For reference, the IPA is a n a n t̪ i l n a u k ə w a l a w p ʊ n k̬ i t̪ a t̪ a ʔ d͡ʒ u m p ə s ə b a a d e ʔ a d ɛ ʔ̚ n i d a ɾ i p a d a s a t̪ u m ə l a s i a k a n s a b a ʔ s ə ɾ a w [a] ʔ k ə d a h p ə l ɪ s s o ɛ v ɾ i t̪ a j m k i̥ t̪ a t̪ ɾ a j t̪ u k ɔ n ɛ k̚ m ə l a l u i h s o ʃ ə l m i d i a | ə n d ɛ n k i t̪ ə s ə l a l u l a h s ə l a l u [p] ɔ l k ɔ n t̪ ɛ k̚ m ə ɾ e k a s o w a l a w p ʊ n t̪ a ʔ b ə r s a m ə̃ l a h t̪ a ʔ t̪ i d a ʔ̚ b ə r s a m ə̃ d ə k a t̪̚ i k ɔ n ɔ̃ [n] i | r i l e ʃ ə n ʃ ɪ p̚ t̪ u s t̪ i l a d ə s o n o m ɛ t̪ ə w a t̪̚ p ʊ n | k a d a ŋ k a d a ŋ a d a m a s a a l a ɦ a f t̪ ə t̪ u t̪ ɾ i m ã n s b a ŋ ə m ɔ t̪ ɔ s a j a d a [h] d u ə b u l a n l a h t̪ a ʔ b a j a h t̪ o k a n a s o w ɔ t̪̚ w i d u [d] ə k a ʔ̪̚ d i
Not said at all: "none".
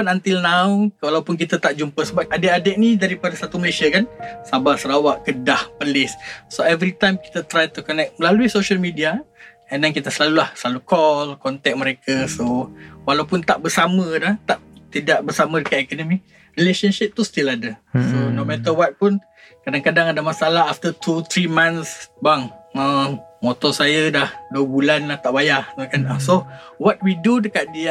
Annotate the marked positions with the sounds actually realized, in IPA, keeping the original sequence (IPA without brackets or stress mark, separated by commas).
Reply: a, k, m, h, d